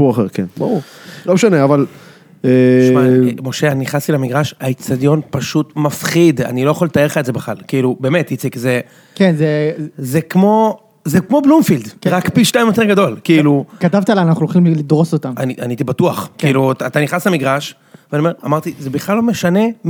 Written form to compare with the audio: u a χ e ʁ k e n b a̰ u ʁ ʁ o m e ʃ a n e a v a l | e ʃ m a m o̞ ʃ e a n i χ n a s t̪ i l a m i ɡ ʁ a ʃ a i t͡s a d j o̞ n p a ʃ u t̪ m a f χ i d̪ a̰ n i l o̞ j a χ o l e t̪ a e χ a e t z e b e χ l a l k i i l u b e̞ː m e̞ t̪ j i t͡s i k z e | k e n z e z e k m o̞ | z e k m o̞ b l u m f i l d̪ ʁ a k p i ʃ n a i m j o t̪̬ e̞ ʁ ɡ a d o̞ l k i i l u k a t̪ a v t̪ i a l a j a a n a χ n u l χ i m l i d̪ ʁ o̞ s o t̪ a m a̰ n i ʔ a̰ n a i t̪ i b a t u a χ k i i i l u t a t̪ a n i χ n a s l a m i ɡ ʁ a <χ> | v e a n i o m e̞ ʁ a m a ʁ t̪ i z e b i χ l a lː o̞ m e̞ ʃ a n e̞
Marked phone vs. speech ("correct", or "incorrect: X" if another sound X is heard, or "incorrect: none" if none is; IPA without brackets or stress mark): incorrect: ʃ